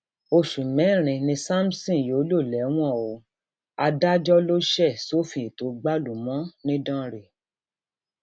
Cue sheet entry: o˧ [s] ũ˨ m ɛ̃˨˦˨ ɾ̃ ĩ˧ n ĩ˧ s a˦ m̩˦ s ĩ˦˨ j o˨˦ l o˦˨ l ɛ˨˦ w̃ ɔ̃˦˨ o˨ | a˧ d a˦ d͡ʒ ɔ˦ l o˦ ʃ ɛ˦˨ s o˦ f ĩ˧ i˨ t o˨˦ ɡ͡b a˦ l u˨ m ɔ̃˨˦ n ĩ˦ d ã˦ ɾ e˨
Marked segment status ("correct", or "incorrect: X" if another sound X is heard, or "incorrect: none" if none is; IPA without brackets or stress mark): incorrect: ʃ